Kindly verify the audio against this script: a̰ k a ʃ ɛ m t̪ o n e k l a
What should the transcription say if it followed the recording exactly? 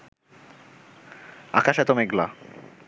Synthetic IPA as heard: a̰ k a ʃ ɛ t̪ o m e ɡ l a